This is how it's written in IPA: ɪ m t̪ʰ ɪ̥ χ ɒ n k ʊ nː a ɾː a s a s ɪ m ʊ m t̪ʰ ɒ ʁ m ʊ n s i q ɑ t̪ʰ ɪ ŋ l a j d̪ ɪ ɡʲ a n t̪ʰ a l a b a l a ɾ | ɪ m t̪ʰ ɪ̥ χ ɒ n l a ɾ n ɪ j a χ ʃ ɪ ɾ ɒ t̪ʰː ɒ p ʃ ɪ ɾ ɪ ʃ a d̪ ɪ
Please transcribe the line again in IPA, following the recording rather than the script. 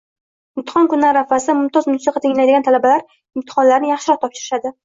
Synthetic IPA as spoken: ɪ m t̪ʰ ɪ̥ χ ɒ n k ʊ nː a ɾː a f a s ɪ m ʊ m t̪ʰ ɒ z m ʊ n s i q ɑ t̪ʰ ɪ ŋ l a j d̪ ɪ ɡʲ a n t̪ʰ a l a b a l a ɾ | ɪ m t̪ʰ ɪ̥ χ ɒ n l a ɾ n ɪ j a χ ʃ ɪ ɾ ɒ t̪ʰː ɒ p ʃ ɪ ɾ ɪ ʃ a d̪ ɪ